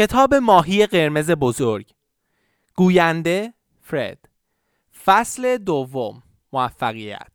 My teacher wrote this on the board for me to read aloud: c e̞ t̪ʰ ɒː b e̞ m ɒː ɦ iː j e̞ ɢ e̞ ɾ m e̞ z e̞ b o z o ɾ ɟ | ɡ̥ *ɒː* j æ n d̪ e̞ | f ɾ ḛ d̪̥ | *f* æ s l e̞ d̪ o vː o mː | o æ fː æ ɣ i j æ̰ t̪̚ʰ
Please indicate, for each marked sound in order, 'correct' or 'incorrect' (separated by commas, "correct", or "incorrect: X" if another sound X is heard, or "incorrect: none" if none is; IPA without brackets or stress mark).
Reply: incorrect: uː, correct